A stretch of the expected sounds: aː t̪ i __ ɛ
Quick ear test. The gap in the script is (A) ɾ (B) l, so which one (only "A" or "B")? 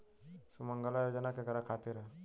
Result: A